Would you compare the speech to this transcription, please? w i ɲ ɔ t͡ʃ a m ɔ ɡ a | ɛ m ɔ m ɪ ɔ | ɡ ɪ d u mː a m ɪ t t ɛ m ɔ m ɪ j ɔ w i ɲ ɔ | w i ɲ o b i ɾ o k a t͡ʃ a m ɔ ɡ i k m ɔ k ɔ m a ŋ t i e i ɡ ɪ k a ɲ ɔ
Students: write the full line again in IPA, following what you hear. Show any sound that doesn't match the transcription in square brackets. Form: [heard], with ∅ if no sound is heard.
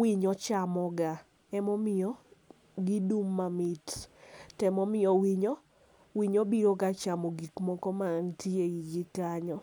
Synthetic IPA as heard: w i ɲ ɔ t͡ʃ a m ɔ ɡ a | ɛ m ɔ m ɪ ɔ | ɡ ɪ d u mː a m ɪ t t ɛ m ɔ m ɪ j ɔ w i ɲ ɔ | w i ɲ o b i ɾ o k a t͡ʃ a m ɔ ɡ i k m ɔ k ɔ m a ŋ t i e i ɡ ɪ k a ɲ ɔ